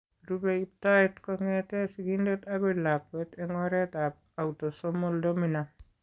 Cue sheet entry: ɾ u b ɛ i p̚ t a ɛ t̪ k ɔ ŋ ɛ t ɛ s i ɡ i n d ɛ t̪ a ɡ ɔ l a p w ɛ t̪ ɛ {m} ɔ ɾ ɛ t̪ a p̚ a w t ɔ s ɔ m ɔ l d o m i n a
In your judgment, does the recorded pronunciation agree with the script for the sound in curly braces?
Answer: no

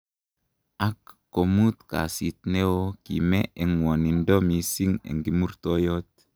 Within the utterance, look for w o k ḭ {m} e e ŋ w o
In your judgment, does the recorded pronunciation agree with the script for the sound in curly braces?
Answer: yes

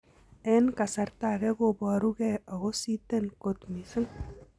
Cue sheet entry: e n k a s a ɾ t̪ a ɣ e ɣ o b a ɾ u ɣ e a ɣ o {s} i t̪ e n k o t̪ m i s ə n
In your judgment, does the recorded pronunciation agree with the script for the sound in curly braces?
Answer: yes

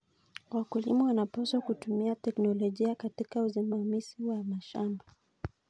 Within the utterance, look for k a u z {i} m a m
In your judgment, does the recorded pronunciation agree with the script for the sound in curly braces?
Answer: yes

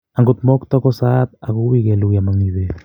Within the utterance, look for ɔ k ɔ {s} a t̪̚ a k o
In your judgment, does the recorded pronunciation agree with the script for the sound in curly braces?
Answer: yes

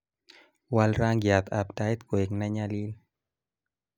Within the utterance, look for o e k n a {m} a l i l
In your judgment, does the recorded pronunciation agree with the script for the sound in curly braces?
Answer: no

